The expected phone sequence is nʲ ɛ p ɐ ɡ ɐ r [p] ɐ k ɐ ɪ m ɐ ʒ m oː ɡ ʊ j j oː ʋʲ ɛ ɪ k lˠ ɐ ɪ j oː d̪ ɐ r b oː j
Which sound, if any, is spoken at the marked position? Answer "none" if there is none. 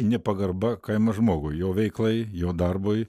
b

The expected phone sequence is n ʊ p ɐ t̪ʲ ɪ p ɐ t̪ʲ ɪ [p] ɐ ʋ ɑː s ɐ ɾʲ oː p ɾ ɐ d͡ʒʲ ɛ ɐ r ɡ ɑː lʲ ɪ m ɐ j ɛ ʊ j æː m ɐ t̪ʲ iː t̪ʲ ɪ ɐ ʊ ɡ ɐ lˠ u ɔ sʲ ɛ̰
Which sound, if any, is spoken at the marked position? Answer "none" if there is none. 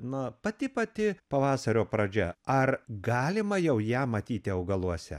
p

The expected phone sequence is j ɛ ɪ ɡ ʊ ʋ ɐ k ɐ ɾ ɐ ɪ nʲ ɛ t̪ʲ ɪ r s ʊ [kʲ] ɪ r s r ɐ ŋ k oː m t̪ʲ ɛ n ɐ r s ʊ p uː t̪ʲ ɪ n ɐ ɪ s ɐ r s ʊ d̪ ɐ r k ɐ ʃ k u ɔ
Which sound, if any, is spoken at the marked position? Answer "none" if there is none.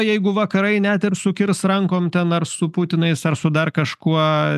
kʲ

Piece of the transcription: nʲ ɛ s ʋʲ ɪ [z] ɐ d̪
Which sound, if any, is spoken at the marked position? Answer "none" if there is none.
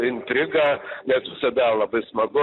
s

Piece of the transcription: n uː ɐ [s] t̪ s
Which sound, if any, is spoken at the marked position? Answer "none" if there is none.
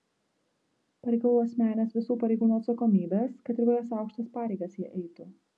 none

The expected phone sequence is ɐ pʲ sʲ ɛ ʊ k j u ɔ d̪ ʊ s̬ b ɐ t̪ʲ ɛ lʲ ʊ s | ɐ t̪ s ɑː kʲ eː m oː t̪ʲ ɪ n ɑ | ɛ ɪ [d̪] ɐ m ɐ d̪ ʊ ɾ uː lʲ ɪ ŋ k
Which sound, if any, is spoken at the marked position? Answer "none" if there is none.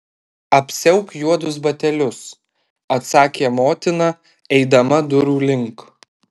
d̪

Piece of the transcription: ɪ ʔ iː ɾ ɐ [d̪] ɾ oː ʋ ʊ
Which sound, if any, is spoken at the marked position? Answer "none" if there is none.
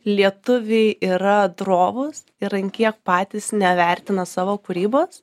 d̪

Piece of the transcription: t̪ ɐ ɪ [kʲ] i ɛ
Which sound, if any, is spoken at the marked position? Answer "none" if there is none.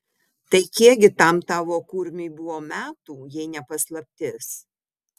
kʲ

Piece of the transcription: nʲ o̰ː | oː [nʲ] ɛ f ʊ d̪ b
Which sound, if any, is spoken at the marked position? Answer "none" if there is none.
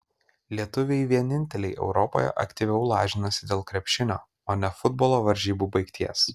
nʲ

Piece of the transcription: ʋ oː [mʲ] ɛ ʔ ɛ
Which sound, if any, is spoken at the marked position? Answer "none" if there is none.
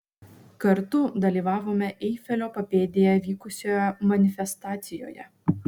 mʲ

